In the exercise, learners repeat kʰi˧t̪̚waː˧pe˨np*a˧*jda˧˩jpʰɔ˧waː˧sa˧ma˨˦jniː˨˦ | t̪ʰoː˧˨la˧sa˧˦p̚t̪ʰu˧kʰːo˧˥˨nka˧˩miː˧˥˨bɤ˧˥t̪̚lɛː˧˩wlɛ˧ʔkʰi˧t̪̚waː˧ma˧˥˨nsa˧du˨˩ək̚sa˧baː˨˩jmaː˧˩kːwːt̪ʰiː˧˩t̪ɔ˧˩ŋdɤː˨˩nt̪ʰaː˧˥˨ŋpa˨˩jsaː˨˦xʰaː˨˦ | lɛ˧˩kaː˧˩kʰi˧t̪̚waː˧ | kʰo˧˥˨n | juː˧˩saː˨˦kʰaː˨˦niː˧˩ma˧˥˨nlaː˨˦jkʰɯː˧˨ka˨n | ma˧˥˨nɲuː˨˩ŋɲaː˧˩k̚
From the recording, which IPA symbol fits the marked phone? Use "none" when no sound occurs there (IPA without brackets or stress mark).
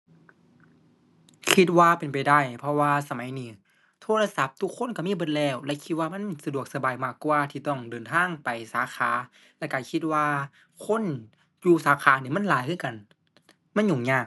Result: a˨˩